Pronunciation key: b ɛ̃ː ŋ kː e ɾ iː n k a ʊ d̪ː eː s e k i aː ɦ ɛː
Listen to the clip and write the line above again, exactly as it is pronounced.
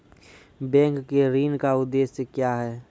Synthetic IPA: b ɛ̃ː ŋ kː e ɾ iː n k a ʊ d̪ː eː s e k j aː ɦ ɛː